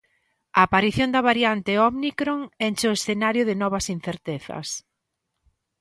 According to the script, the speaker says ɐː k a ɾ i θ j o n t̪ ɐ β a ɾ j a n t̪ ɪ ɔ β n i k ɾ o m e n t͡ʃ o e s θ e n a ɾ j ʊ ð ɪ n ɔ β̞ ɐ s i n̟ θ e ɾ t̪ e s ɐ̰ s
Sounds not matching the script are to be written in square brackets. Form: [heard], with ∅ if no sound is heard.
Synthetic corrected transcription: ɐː [p] a ɾ i θ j o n [d̪] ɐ β a ɾ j a n t̪ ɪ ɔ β n i k ɾ o [ŋ] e n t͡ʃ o e s θ e n a ɾ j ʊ ð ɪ n ɔ β̞ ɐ s i n̟ θ e ɾ t̪ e [θ] ɐ̰ s